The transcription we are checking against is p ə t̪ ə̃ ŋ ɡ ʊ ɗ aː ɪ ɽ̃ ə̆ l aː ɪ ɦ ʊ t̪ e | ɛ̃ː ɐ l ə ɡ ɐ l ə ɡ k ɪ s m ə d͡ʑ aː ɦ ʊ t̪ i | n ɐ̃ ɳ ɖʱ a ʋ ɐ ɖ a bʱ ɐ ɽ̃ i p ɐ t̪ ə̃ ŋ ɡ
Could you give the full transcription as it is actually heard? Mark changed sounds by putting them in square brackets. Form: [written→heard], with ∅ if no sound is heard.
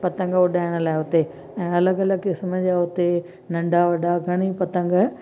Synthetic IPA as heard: p [ə→ɐ] t̪ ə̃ ŋ ɡ ʊ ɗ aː ɪ ɽ̃ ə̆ l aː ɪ ɦ ʊ t̪ e | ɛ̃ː ɐ l ə ɡ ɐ l ə ɡ k ɪ s m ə d͡ʑ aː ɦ ʊ t̪ [i→e] | n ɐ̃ ɳ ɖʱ a ʋ ɐ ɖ a [bʱ→ɡʱ] ɐ ɽ̃ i p ɐ t̪ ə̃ ŋ ɡ